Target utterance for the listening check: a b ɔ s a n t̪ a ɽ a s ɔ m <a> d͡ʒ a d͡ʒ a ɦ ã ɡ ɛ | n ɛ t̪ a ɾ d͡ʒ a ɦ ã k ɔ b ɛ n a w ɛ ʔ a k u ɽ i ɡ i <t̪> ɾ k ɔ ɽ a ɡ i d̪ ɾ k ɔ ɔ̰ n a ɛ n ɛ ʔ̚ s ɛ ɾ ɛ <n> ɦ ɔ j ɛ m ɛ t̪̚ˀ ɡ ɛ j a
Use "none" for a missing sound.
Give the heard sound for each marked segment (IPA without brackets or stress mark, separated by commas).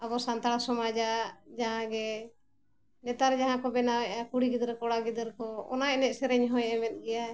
a, d̪, ɲ